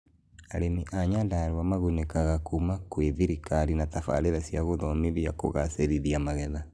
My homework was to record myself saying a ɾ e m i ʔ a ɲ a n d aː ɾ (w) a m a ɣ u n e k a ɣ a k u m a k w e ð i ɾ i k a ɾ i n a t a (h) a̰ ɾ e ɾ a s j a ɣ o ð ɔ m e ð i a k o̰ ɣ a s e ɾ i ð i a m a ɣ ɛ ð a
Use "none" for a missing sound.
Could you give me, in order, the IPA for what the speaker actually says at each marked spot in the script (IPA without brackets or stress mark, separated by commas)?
w, f